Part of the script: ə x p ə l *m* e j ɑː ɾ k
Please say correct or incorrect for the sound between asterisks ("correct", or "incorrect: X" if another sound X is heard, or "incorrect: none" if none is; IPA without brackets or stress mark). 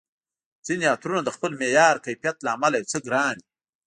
correct